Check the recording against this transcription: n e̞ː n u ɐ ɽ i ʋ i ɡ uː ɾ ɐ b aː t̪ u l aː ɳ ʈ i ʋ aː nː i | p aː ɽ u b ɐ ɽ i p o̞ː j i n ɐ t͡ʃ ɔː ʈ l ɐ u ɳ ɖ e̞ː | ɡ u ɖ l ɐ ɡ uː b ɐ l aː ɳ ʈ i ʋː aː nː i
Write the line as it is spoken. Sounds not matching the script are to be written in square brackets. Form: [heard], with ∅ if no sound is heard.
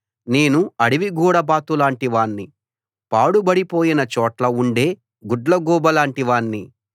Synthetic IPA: n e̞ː n u ɐ ɽ i ʋ i ɡ uː [ɽ] ɐ b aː t̪ u l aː ɳ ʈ i ʋ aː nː i | p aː ɽ u b ɐ ɽ i p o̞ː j i n ɐ t͡ʃ ɔː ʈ l ɐ u ɳ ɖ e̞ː | ɡ u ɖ l ɐ ɡ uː b ɐ l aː ɳ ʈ i [ʋ] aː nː i